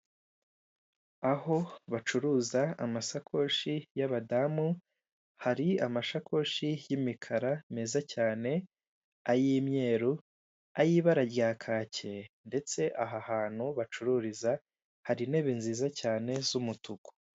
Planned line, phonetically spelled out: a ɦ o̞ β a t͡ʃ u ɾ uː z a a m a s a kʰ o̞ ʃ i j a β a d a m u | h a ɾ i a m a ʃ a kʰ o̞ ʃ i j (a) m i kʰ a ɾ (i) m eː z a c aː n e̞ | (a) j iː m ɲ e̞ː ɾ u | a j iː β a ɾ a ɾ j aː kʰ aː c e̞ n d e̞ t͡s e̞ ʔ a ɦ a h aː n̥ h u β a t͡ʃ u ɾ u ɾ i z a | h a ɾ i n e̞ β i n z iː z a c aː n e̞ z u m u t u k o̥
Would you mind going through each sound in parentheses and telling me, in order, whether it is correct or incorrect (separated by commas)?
incorrect, incorrect, correct